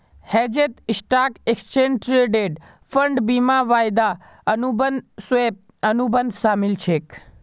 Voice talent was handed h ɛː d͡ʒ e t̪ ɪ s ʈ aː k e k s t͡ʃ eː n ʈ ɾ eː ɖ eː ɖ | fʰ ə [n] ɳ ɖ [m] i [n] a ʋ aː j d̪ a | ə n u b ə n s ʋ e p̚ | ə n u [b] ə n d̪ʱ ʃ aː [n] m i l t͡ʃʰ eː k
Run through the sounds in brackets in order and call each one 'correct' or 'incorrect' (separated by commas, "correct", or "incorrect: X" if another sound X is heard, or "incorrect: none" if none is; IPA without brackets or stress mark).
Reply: incorrect: none, incorrect: b, incorrect: m, correct, incorrect: none